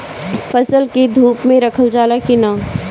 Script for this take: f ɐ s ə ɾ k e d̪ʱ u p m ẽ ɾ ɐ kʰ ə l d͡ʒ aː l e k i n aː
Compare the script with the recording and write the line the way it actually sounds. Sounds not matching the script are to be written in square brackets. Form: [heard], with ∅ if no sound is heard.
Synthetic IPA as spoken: f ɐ s ə [l] k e d̪ʱ [uː] p m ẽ ɾ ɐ kʰ ə l d͡ʒ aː l [a] k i n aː